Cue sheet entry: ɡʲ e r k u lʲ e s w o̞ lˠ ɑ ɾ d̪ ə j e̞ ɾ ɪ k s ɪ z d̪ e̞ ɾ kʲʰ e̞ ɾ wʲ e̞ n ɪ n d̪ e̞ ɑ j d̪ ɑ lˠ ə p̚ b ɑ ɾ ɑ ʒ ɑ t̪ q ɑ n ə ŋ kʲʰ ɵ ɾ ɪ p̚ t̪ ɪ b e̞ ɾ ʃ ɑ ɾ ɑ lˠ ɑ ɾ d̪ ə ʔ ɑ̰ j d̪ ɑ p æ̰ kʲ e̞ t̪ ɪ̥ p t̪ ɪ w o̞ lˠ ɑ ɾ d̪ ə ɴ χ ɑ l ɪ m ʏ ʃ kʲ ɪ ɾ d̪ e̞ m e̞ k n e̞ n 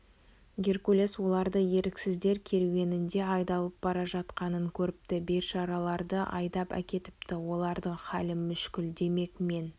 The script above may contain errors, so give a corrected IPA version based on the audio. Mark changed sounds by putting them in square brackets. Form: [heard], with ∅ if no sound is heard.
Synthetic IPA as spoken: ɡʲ e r k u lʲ e s w o̞ lˠ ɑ ɾ d̪ ə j e̞ ɾ ɪ k s ɪ z d̪ e̞ ɾ kʲʰ e̞ ɾ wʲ e̞ n ɪ n d̪ e̞ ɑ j d̪ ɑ lˠ ə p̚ b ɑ ɾ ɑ ʒ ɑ t̪ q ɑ n ə ŋ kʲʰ ɵ ɾ ɪ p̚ t̪ ɪ b e̞ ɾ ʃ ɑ ɾ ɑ lˠ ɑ ɾ d̪ ə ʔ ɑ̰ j d̪ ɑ p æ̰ kʲ e̞ t̪ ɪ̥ p t̪ ɪ w o̞ lˠ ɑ ɾ d̪ ə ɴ χ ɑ l ɪ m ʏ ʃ kʲ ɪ [l] d̪ e̞ m e̞ k [m] e̞ n